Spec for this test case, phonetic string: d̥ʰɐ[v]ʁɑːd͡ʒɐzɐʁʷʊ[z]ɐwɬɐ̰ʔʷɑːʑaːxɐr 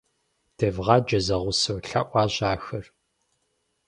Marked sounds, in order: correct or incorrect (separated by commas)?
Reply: correct, incorrect